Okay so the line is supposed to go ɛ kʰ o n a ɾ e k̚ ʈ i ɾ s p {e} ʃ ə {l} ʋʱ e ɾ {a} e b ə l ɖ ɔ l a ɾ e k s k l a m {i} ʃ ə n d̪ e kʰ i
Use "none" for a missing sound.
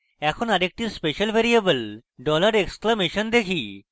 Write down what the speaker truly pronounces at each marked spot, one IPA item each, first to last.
e, l, i, e

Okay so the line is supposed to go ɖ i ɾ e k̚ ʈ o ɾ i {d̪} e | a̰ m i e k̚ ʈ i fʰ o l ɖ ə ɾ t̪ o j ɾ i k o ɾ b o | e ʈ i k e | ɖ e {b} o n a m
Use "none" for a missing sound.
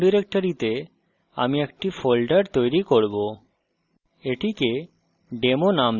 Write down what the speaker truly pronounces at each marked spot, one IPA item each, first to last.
t̪, m

